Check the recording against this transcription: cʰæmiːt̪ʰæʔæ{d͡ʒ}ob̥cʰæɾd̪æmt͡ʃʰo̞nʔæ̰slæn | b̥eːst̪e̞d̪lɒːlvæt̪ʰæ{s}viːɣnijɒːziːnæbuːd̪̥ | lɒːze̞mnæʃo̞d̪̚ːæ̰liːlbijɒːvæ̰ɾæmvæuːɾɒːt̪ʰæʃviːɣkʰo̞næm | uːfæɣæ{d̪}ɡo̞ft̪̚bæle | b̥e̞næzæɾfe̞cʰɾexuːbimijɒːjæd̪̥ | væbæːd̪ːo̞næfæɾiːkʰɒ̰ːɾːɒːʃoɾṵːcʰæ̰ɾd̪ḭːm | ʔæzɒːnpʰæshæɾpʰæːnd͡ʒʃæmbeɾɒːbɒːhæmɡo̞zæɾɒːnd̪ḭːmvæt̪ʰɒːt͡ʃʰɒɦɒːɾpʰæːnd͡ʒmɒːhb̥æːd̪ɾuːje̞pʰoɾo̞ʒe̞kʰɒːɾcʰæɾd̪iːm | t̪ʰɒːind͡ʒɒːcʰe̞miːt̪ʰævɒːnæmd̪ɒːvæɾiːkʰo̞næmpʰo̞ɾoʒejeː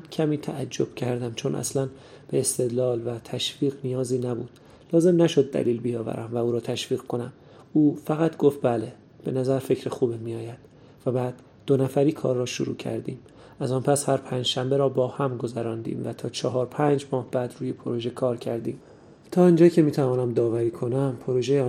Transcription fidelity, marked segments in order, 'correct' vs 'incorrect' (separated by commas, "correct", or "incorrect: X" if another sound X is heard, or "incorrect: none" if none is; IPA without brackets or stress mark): incorrect: d͡ʒː, incorrect: ʃ, incorrect: t̪